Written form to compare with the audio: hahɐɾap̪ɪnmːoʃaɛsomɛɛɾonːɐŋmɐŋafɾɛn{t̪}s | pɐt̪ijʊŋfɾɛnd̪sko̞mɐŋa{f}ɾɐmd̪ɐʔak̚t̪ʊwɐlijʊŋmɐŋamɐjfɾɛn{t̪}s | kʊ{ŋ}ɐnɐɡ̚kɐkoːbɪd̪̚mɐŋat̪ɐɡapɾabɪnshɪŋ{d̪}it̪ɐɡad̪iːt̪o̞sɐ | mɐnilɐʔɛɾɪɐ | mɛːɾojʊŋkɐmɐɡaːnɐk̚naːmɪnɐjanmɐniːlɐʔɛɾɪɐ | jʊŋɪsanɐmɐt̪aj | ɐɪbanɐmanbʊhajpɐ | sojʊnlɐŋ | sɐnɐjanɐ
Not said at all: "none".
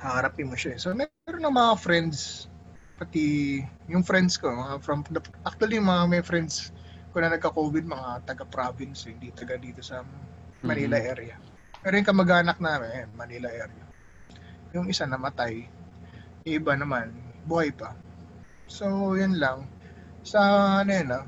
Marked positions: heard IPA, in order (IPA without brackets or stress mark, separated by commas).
d̪, f, d̪, n, d̪